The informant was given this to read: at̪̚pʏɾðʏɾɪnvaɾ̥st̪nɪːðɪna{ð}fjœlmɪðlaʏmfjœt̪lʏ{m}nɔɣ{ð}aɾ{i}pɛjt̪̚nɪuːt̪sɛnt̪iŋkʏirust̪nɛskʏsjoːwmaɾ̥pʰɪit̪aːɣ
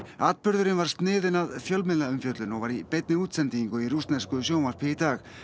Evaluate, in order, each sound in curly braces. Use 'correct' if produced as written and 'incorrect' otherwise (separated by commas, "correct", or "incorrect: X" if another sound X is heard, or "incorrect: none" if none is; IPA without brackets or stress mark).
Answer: correct, incorrect: none, incorrect: v, correct